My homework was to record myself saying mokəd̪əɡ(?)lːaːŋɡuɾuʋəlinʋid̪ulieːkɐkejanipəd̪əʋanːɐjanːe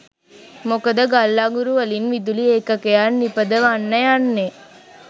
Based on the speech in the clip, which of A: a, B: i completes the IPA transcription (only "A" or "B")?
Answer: A